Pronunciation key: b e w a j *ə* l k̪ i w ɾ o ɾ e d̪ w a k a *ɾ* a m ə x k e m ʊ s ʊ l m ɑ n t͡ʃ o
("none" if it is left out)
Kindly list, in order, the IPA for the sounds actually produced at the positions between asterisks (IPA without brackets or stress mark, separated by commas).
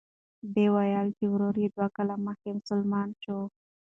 ɑ, l